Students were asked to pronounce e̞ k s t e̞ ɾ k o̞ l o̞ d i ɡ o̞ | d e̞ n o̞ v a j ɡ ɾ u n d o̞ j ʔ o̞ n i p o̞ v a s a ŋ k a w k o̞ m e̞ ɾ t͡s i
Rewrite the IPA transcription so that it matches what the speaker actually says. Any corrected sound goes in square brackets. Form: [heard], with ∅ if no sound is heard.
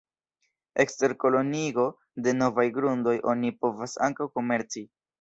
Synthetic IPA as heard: e̞ k s t e̞ ɾ k o̞ l o̞ [n] i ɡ o̞ | d e̞ n o̞ v a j ɡ ɾ u n d o̞ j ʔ o̞ n i p o̞ v a s a ŋ k a w k o̞ m e̞ ɾ t͡s i